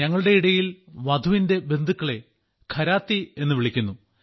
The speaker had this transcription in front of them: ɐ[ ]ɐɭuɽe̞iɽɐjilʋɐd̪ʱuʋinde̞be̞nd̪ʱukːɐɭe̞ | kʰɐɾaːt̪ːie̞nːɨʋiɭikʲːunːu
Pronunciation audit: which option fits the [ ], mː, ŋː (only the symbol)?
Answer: ŋː